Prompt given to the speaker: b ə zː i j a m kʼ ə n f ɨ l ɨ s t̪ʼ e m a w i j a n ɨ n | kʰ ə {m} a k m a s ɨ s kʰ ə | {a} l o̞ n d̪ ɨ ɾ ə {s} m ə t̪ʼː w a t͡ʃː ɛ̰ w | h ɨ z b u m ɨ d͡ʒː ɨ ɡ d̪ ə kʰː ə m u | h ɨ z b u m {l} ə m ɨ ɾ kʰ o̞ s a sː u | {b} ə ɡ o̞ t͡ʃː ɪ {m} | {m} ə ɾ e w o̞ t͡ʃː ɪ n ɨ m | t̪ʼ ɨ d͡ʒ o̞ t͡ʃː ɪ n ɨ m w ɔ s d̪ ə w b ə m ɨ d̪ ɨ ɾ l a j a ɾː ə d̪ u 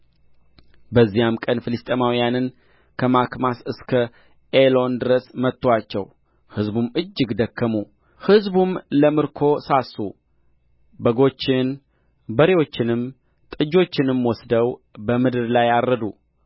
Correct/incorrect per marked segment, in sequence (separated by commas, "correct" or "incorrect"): correct, incorrect, correct, correct, correct, incorrect, incorrect